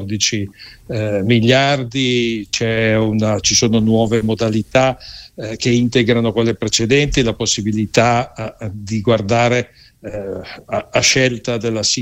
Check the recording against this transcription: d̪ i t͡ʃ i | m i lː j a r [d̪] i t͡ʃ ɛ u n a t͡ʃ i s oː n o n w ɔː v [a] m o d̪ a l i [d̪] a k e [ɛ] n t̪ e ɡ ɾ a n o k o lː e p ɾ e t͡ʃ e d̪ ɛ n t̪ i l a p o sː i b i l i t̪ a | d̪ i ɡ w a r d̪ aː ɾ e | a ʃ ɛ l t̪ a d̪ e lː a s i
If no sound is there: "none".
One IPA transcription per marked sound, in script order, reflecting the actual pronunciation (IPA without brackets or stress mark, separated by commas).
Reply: d̪, e, t̪, i